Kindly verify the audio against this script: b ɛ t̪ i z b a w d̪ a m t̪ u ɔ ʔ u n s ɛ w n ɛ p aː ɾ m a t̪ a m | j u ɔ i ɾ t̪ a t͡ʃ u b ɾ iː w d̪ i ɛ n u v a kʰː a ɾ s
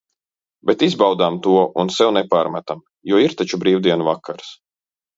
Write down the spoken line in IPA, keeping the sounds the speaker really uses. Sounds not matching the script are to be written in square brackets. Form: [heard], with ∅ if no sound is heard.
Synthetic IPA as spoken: b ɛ t̪ i z b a w d̪ a m t̪ u ɔ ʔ u n s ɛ w n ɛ p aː ɾ m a t̪ a m | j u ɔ i ɾ t̪ a t͡ʃ u b ɾ iː w d̪ i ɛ n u v a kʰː a ɾ s